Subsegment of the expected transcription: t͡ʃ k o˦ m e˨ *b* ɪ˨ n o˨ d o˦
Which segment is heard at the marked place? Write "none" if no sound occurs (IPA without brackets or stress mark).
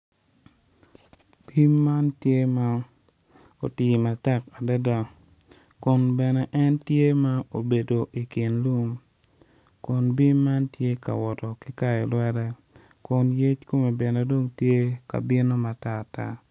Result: b